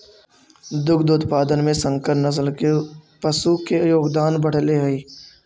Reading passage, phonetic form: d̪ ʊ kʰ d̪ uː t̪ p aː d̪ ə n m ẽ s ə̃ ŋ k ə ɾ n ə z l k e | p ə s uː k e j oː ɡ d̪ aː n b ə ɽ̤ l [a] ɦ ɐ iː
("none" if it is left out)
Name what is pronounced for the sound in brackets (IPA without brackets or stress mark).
e